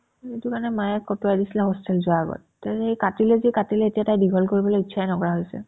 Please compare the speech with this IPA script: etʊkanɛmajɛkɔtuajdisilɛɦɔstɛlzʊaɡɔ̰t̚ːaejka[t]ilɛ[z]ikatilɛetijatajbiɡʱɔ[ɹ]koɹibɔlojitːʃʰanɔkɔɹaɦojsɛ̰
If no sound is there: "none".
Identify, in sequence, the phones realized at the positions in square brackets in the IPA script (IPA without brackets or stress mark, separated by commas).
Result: t, z, l